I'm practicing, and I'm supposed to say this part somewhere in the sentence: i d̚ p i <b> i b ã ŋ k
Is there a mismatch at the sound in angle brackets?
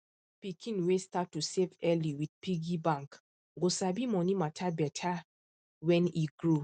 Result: yes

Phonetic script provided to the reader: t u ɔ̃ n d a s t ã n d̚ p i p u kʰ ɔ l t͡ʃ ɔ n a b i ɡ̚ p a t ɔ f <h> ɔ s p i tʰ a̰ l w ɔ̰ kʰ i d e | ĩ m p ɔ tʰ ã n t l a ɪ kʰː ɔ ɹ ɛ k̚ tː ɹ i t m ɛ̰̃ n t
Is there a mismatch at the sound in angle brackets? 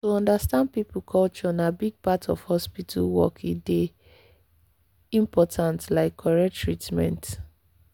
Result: no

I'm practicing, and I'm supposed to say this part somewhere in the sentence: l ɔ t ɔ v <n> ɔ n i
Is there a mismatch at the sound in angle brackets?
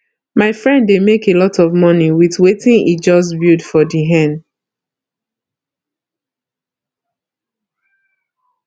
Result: yes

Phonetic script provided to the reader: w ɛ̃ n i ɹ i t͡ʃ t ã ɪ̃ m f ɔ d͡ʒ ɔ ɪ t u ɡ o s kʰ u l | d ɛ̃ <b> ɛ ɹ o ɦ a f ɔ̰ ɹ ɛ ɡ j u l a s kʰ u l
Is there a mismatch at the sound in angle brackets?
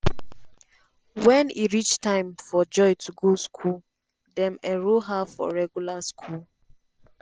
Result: yes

